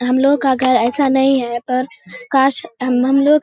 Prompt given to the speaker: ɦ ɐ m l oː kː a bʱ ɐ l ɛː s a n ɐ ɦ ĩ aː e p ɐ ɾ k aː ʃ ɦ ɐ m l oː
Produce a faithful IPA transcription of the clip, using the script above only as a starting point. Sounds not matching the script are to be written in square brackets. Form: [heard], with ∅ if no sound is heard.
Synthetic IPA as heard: ɦ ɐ m l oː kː a [ɡʱ] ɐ [ɾ] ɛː s a n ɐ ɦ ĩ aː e p ɐ ɾ k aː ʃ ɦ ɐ m l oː